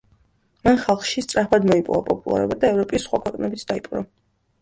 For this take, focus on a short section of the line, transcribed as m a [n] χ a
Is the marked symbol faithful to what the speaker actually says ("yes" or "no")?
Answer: yes